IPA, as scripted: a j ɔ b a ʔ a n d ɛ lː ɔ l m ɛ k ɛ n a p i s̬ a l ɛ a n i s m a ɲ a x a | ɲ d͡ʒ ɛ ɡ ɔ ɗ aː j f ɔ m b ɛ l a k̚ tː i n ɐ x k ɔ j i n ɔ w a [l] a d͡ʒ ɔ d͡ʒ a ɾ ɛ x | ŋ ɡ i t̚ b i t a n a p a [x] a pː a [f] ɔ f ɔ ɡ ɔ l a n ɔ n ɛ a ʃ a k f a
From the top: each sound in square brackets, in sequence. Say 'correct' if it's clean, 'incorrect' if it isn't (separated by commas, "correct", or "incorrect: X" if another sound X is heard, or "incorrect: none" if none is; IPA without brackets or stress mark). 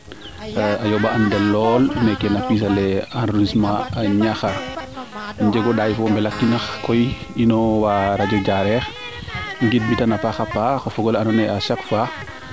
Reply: incorrect: ɾ, correct, incorrect: x